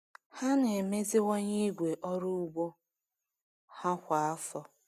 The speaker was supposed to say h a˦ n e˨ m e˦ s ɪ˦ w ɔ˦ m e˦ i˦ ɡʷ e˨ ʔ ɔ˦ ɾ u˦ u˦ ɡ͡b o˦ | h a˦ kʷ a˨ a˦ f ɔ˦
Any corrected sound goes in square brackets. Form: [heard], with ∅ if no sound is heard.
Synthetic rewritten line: h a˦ n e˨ m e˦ [z] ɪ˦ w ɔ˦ [ɲ] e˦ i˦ ɡʷ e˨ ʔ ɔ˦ ɾ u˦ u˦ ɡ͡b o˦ | h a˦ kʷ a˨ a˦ f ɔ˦